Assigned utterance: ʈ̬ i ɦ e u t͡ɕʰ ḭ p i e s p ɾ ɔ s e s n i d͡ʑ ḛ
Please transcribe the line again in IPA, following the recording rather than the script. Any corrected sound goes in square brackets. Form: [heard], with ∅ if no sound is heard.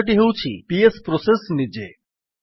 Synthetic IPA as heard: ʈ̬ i ɦ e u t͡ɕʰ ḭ p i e s p ɾ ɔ s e s n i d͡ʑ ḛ

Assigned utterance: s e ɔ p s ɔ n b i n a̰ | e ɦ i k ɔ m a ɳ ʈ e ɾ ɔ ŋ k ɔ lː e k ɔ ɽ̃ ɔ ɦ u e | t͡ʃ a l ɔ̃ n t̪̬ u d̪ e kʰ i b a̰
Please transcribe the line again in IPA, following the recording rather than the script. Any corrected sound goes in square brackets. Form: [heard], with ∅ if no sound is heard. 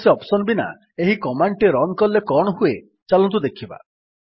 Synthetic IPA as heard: s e ɔ p s ɔ n b i n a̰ | e ɦ i k ɔ m a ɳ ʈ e ɾ ɔ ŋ k ɔ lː e k ɔ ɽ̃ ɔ ɦ u e | t͡ʃ a l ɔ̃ n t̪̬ u d̪ e kʰ i b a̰

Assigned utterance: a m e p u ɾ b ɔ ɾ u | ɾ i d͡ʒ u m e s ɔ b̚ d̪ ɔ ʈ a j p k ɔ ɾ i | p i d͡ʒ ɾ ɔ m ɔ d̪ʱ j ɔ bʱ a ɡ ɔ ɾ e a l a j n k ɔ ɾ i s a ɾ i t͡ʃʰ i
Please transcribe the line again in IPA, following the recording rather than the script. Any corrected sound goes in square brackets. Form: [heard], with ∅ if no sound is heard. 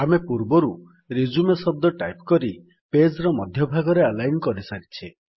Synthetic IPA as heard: a m e p u ɾ b ɔ ɾ u | ɾ i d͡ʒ u m e s ɔ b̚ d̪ ɔ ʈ a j p k ɔ ɾ i | p [e] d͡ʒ ɾ ɔ m ɔ d̪ʱ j ɔ bʱ a ɡ ɔ ɾ e a l a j n k ɔ ɾ i s a ɾ i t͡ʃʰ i

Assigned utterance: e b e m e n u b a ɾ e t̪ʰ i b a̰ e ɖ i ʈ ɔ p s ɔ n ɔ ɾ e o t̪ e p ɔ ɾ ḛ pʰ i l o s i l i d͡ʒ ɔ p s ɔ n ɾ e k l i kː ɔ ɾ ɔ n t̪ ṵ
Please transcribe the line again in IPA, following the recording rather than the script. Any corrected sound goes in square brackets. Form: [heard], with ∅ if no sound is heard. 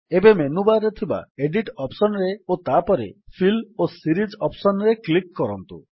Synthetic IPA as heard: e b e m e n u b a ɾ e t̪ʰ i b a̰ e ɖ i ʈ ɔ p s ɔ n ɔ ɾ e o t̪ [a] p ɔ ɾ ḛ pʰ i l o s i [ɾ] i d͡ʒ ɔ p s ɔ n ɾ e k l i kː ɔ ɾ ɔ n t̪ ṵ

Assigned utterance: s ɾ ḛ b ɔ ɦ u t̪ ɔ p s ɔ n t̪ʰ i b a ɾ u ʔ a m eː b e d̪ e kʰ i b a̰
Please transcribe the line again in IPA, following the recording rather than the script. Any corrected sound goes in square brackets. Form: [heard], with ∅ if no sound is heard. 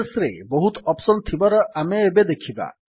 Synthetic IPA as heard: s ɾ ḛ b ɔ ɦ u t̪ ɔ p s ɔ n t̪ʰ i b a ɾ [ɔ] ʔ a m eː b e d̪ e kʰ i b a̰

